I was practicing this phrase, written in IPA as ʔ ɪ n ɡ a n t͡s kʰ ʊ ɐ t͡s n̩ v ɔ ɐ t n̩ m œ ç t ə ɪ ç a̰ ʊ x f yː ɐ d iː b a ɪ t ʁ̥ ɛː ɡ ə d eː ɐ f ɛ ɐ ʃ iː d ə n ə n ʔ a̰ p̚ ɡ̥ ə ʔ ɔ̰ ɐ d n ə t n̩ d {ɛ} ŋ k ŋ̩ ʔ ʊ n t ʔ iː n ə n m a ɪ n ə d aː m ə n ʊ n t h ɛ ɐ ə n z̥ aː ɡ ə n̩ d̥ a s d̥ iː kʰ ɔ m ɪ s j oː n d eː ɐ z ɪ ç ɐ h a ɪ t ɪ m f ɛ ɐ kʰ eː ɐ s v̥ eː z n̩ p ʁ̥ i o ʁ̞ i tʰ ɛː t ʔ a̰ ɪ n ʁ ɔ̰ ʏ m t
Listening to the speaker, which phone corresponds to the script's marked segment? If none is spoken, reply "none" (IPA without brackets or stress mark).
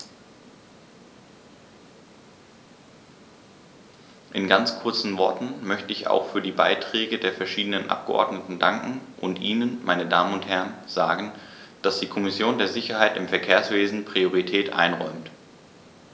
a